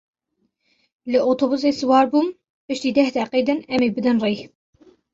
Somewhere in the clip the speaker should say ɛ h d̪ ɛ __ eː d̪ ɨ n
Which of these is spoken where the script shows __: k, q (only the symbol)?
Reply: q